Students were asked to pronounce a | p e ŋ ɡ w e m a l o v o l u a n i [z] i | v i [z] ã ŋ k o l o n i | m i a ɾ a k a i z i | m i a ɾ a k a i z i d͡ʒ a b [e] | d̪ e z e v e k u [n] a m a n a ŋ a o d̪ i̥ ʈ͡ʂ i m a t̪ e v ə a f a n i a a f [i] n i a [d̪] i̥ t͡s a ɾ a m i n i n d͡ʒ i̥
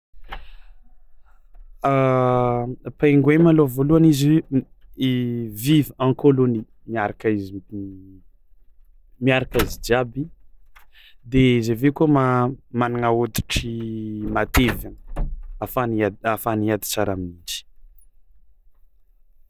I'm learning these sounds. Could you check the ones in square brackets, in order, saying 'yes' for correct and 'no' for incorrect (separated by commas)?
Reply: yes, no, no, no, no, yes